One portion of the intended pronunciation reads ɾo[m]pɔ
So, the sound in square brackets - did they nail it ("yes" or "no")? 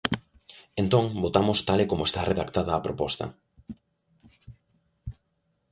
no